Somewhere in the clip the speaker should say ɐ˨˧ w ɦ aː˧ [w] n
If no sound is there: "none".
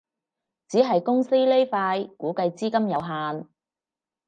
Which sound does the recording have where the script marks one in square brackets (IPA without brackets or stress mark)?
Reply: none